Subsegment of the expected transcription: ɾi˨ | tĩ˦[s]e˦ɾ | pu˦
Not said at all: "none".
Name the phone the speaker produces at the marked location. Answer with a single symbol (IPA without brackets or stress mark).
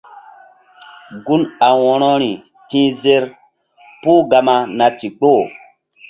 z